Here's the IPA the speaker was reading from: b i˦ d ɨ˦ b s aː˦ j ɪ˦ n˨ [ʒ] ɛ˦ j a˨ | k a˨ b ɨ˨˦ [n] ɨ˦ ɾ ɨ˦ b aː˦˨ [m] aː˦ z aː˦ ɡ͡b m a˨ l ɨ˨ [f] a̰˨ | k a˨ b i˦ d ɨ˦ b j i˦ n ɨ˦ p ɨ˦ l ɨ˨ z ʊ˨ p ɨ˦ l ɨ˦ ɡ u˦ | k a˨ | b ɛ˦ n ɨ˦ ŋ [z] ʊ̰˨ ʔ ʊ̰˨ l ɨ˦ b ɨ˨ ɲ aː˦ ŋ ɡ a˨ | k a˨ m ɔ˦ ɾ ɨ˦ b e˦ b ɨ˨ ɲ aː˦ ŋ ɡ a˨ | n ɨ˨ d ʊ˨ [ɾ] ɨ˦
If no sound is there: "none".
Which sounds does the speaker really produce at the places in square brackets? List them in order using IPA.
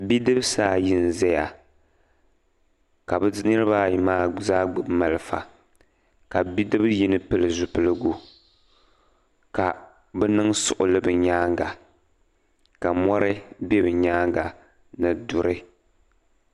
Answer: z, n, m, f, s, ɾ

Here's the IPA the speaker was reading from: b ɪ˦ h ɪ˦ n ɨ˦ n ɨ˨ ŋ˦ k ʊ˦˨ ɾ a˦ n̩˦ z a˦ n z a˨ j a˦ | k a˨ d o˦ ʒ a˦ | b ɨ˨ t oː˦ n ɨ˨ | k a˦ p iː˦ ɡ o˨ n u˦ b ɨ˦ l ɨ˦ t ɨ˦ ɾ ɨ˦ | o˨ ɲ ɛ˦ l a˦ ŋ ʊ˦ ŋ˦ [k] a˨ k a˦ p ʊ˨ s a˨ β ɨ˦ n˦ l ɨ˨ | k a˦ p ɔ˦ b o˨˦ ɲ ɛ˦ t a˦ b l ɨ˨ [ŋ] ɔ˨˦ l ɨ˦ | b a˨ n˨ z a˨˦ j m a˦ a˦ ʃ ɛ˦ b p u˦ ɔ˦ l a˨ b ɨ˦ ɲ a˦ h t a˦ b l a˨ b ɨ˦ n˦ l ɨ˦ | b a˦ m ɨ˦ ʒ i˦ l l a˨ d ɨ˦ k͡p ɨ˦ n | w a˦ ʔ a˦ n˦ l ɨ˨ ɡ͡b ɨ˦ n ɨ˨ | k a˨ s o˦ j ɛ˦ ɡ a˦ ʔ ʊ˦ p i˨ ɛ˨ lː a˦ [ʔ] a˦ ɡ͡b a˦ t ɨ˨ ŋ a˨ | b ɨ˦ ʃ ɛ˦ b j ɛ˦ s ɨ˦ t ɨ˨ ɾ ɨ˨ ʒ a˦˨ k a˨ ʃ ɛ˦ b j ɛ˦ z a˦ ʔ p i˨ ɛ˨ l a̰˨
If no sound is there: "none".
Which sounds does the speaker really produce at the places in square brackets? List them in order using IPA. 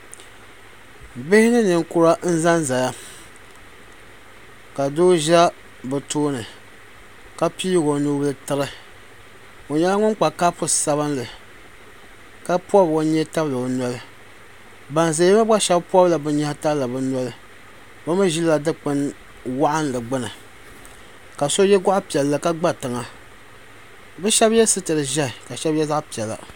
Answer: k͡p, n, k

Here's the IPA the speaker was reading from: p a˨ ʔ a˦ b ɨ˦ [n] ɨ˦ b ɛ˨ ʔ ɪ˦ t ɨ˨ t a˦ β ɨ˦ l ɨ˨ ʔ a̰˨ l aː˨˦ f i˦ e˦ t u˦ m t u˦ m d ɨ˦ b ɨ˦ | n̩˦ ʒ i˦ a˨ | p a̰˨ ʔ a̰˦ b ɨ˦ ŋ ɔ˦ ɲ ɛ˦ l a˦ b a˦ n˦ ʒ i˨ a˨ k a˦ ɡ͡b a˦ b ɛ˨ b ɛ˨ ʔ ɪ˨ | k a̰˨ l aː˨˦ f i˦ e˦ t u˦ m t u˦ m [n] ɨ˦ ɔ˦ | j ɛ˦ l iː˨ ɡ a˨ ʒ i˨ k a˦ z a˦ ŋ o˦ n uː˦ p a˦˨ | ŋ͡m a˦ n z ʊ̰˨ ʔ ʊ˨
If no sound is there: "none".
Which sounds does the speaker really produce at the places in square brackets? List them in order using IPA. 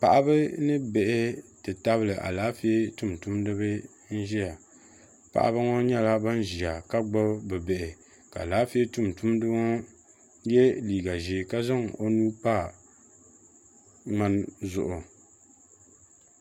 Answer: n, d

